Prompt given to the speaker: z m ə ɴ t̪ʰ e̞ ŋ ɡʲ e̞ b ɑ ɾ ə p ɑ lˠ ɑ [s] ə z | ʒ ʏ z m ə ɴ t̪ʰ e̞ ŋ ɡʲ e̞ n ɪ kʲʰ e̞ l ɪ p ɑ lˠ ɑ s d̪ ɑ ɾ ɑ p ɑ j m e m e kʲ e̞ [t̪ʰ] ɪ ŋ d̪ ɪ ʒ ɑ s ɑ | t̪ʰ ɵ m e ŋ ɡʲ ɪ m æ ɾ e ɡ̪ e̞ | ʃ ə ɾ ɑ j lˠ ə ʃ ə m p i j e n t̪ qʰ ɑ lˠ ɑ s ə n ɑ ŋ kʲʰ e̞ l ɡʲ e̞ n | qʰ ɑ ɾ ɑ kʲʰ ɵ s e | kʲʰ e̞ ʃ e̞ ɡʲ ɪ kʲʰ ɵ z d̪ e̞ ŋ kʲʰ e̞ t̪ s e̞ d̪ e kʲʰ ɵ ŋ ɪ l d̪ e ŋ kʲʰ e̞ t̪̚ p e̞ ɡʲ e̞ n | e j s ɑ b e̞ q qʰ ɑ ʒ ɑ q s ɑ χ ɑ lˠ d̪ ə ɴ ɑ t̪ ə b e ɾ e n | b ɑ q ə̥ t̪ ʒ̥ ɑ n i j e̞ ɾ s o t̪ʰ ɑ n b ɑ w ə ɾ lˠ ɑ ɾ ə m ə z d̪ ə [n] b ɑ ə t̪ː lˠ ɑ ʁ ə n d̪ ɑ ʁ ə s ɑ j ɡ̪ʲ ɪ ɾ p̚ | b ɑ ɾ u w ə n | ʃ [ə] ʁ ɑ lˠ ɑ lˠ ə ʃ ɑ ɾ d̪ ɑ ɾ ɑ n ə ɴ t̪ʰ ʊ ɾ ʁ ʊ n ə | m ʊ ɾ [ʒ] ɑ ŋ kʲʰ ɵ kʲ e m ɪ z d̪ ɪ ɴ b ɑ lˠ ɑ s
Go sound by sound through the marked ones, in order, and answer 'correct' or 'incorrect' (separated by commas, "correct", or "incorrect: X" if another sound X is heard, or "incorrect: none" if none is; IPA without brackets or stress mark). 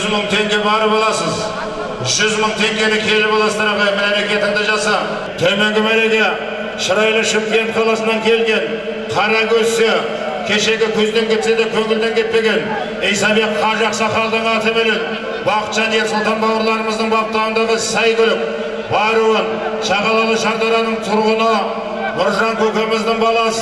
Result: correct, incorrect: t̪, incorrect: ɴ, incorrect: ɑ, correct